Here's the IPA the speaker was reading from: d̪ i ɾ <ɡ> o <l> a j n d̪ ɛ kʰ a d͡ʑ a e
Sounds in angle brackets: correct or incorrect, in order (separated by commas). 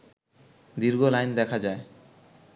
correct, correct